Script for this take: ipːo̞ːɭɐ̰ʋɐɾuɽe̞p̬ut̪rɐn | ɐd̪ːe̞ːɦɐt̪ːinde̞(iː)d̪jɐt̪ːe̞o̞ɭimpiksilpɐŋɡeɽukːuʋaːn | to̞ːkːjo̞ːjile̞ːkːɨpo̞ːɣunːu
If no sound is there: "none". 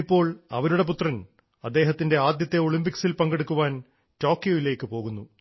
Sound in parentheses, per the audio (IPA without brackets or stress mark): aː